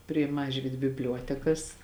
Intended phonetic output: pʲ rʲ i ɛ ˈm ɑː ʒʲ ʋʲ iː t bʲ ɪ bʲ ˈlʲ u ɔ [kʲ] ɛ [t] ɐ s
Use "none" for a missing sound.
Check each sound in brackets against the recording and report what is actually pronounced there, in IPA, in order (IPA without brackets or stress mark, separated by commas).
tʲ, k